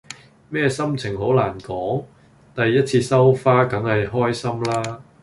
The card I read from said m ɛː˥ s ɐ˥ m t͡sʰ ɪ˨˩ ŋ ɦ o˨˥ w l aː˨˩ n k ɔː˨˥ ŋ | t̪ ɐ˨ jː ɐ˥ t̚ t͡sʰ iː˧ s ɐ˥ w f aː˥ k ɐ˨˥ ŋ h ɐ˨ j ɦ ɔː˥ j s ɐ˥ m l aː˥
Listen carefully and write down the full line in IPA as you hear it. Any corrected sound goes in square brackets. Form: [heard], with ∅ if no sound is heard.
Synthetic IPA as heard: m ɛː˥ s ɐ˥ m t͡sʰ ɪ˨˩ ŋ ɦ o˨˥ w l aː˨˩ n k ɔː˨˥ ŋ | t̪ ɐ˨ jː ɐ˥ t̚ t͡sʰ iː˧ s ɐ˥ w f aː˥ k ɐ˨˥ ŋ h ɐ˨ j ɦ ɔː˥ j s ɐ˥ m l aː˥